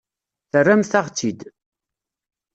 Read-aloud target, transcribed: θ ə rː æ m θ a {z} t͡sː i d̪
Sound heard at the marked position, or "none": ʁ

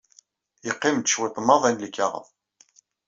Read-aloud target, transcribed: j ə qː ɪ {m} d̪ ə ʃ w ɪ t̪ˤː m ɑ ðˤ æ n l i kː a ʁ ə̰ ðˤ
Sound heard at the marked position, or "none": m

